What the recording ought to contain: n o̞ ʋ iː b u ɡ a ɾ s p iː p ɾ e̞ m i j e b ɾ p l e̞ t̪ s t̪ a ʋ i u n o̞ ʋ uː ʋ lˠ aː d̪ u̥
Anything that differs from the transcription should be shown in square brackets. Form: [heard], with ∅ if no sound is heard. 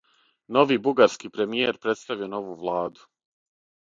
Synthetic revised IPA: n o̞ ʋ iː b u ɡ a ɾ s [k] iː p ɾ e̞ m i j e [∅] ɾ p [ɾ] e̞ t̪ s t̪ a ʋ i [o] n o̞ ʋ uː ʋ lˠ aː d̪ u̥